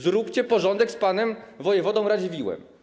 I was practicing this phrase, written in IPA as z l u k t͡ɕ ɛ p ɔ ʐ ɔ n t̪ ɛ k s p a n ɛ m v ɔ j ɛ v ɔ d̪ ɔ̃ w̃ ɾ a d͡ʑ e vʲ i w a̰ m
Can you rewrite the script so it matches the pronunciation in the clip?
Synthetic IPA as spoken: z ɾ u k t͡ɕ ɛ p ɔ ʐ ɔ n d̪ ɛ k s p a n ɛ m v ɔ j ɛ v ɔ d̪ ɔ̃ w̃ ɾ a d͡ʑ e vʲ i w ɛ̰ m